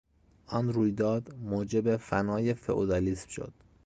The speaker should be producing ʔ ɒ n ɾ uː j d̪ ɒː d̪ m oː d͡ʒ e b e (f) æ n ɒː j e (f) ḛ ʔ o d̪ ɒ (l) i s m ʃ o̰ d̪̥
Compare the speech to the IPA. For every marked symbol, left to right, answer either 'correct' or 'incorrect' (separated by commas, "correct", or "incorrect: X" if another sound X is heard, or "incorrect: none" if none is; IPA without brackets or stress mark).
correct, correct, correct